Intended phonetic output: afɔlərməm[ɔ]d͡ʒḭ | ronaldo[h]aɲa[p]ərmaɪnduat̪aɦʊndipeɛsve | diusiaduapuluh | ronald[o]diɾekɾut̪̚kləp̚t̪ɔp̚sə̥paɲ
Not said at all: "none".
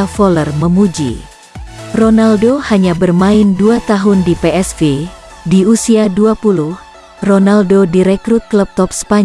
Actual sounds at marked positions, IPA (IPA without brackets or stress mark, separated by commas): u, h, b, o